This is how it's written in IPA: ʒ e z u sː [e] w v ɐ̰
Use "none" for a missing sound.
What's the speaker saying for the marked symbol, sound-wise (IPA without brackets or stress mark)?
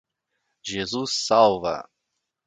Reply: a